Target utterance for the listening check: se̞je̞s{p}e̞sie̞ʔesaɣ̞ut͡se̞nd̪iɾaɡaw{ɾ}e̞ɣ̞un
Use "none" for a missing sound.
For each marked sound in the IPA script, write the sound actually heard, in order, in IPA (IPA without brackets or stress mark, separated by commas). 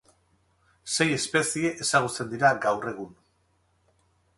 p, r